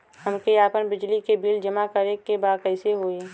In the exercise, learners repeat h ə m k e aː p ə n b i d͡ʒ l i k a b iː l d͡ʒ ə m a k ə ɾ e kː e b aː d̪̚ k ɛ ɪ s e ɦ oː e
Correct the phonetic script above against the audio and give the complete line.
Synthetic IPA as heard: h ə m k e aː p ə n b ɪ d͡ʒ l i k e b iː l d͡ʒ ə m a k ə ɾ e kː e b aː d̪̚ k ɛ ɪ s e ɦ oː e

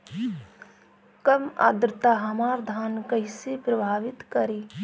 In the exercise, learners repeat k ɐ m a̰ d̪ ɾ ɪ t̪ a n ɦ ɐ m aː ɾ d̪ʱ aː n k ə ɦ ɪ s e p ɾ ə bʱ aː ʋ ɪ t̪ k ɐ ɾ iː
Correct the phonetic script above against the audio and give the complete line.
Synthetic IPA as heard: k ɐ m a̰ d̪ ɾ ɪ t̪ a ɦ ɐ m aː ɾ d̪ʱ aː n k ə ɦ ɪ s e p ɾ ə bʱ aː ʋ ɪ t̪ k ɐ ɾ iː

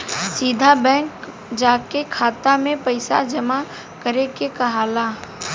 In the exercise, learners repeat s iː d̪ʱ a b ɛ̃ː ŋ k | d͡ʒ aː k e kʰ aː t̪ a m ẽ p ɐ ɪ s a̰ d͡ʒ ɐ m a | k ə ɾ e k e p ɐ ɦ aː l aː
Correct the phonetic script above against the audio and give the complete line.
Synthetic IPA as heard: s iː d̪ʱ a b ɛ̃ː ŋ k | d͡ʒ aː k e kʰ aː t̪ a m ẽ p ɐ ɪ s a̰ d͡ʒ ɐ m a | k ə ɾ e k e k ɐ ɦ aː l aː

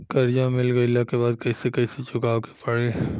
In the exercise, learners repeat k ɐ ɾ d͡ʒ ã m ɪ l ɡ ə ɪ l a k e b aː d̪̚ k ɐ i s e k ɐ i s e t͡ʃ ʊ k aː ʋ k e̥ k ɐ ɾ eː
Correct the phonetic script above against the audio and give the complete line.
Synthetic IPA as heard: k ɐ ɾ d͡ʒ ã m ɪ l ɡ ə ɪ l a k e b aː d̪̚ k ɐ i s e k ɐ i s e t͡ʃ ʊ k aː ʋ k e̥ p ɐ ɽ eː

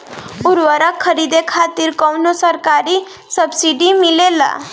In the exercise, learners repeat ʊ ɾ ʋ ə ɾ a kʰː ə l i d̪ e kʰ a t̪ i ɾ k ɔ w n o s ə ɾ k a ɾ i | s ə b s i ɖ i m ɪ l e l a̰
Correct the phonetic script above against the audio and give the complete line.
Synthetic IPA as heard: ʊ ɾ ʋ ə ɾ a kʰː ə ɾ i d̪ e kʰ a t̪ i ɾ k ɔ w n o s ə ɾ k a ɾ i | s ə b s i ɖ i m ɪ l e l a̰

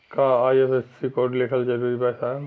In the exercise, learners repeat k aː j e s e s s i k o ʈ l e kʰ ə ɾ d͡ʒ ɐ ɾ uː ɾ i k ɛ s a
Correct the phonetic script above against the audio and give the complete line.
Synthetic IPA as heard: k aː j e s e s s i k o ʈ l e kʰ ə l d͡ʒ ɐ ɾ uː ɾ i p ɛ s a

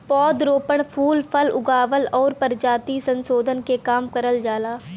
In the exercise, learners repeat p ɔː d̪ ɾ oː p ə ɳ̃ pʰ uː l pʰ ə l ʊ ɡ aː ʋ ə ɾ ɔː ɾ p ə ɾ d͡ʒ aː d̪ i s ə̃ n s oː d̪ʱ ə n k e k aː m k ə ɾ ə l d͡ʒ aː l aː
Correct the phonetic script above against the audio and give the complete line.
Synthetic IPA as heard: p ɔː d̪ ɾ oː p ə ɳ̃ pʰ uː l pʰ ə l ʊ ɡ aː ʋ ə l ɔː ɾ p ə ɾ d͡ʒ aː t̪ i s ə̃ n s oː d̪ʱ ə n k e k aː m k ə ɾ ə l d͡ʒ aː l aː

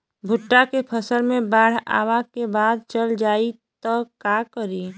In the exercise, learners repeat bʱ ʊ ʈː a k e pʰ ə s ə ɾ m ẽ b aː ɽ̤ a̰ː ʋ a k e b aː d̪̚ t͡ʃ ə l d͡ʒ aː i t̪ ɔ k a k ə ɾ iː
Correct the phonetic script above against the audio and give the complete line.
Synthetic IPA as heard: bʱ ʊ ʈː a k e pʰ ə s ə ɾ m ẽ b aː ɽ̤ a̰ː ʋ a k e b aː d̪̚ t͡ʃ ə l d͡ʒ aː i t̪ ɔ k a k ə ɾ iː

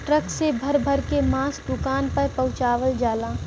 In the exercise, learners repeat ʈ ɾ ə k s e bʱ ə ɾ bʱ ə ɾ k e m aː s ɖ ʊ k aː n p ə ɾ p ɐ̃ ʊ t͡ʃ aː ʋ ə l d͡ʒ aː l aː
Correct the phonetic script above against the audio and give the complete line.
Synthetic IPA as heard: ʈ ɾ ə k s e bʱ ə ɾ bʱ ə ɾ k e m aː s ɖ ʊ k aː n p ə ɾ p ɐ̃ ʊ t͡ʃ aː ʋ ə l d͡ʒ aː l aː

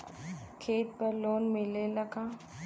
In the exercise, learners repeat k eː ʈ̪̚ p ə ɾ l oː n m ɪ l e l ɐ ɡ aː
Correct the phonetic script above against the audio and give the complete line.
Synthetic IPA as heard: kʰ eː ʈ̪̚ p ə ɾ l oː n m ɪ l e l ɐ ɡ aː

